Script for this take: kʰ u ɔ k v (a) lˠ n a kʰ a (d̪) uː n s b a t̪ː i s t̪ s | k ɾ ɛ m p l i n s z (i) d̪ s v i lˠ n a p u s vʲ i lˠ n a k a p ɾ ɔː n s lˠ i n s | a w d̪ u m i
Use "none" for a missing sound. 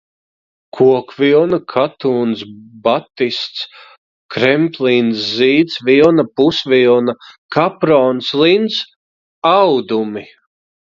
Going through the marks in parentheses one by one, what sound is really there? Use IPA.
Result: i, t̪, iː

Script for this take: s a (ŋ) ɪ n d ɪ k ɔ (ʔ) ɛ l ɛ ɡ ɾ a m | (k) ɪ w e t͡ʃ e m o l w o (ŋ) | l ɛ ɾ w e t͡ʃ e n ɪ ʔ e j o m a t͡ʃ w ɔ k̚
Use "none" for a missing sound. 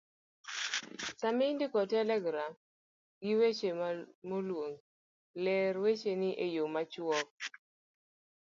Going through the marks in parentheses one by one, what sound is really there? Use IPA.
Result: m, t, ɡ, ŋ

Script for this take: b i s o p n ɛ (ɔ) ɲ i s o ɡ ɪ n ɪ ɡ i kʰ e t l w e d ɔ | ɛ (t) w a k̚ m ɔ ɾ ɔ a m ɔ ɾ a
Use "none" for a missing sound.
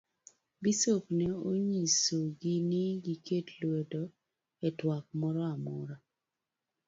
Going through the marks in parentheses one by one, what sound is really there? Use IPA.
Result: o, t

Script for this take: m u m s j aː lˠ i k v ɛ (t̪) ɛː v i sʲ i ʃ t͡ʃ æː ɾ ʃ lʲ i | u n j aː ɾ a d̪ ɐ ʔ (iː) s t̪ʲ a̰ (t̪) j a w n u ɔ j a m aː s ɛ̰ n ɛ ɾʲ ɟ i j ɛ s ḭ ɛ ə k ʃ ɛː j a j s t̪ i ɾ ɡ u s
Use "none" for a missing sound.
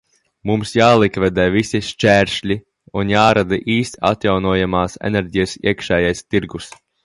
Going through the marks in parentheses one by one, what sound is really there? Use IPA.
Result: d̪, iː, t̪

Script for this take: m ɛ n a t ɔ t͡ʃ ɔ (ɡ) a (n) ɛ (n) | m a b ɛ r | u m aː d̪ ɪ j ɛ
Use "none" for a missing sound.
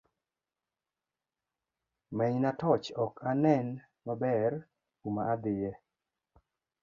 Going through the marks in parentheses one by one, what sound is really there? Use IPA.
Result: k, n, n

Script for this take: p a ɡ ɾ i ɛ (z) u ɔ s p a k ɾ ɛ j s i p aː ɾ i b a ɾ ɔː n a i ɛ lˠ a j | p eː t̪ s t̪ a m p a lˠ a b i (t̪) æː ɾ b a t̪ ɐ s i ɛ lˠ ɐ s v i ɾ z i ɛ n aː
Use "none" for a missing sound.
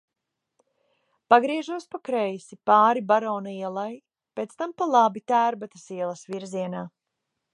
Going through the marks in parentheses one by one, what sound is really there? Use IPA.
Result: ʒ, t̪

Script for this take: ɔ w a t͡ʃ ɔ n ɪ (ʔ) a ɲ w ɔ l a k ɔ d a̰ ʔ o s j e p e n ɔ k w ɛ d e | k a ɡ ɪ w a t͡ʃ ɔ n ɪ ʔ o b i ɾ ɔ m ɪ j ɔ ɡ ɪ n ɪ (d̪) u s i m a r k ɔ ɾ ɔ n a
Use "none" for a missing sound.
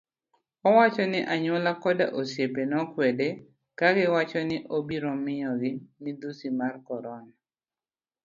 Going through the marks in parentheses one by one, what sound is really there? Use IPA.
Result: ʔ, d̪

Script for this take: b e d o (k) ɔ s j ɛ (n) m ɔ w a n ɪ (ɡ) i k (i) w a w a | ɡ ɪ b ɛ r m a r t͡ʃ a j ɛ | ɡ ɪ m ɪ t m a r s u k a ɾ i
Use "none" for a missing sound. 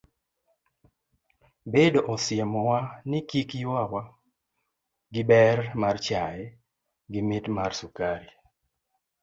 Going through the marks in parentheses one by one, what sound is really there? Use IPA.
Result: ʔ, none, k, j

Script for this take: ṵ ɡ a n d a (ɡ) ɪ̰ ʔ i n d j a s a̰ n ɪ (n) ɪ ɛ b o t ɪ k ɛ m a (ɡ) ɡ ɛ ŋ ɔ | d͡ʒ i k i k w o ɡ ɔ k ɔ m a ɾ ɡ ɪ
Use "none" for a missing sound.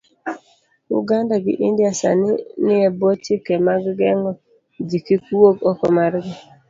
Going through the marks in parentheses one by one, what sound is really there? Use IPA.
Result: ɡ, n, ɡ

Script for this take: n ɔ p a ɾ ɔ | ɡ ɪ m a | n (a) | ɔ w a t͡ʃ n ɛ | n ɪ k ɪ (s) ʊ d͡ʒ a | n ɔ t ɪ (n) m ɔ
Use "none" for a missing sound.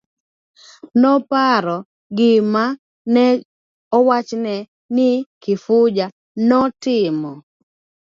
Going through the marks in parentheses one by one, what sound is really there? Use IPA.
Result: ɛ, f, none

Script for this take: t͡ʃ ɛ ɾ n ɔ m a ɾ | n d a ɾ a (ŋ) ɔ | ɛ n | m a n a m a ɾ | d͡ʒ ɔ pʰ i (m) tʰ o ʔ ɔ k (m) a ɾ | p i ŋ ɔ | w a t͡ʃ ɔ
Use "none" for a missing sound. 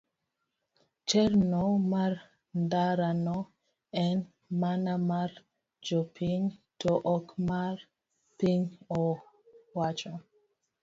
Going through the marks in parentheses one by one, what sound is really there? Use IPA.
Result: n, ŋ, m

